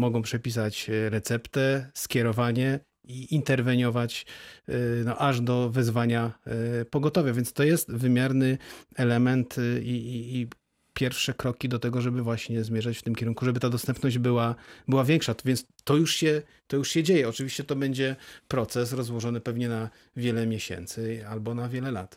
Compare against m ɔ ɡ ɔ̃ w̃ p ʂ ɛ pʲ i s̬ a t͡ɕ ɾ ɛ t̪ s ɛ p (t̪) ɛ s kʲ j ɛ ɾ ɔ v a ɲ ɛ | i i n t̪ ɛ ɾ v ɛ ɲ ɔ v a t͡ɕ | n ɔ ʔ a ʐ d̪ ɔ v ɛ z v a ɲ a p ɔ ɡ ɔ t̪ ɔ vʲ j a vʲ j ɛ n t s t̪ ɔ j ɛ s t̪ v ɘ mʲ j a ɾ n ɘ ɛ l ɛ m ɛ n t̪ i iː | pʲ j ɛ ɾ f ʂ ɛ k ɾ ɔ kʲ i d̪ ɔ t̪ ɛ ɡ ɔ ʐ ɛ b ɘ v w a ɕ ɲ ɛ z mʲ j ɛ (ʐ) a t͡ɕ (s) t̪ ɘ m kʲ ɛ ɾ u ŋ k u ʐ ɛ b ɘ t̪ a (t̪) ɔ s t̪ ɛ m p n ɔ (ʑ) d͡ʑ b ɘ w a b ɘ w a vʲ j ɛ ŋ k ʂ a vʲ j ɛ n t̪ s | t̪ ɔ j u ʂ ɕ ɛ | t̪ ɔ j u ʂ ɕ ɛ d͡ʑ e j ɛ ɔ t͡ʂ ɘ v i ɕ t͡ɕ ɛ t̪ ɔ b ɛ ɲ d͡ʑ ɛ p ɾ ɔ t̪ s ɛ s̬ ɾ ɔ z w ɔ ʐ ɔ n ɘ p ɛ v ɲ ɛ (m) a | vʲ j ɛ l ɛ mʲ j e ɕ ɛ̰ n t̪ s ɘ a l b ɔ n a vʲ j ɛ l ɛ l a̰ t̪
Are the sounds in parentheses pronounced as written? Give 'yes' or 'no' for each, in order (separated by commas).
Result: yes, yes, no, no, yes, no